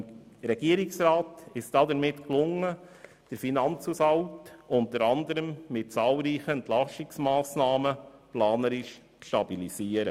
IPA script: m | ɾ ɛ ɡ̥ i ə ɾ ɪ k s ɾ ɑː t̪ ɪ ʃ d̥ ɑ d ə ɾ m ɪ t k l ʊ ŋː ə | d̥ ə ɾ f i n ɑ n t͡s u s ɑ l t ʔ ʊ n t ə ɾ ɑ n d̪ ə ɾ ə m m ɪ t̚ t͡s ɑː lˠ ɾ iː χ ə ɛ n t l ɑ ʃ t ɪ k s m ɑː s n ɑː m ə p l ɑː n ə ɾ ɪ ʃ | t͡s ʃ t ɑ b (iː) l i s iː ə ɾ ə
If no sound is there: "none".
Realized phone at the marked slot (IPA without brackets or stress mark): i